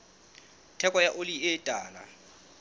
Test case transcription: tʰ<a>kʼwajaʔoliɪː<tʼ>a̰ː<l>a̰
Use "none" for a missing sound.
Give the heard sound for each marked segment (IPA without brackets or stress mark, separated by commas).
ɛ, tʼ, l